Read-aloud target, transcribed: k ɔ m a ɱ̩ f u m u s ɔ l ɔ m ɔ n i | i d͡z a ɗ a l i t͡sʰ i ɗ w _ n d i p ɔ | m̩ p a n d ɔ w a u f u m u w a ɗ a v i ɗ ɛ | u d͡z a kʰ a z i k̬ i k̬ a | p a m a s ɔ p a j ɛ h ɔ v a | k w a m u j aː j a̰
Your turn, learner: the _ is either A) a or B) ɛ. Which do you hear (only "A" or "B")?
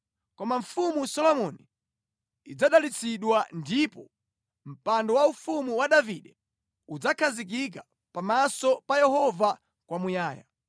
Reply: A